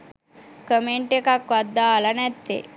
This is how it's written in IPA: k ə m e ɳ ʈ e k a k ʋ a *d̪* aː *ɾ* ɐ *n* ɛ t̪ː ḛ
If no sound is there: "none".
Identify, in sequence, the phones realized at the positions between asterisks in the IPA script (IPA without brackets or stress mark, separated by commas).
d̪ː, l, n